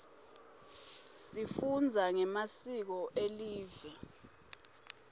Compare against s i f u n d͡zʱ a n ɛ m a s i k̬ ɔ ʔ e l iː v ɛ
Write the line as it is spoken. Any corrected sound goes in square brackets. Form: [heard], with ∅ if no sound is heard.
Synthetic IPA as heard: s i f u n d͡zʱ a [ŋ] ɛ m a s i k̬ ɔ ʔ e l iː v ɛ